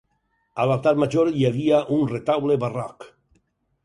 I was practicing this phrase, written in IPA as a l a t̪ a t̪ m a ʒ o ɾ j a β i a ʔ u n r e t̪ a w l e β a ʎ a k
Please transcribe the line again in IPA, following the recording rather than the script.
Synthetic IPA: a l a t̪ a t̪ m a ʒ o ɾ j a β i a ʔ u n r e t̪ a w l e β a r a k